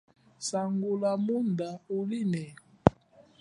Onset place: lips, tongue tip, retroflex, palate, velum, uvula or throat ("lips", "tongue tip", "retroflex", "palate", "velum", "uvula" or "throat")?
tongue tip